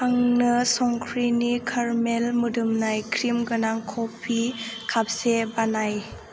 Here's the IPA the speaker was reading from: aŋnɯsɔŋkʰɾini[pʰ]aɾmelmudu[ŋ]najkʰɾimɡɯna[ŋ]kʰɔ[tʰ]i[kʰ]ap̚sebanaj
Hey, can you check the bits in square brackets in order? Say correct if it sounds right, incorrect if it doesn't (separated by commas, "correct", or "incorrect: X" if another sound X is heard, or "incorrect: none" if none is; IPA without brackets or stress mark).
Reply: incorrect: kʰ, incorrect: m, correct, incorrect: pʰ, correct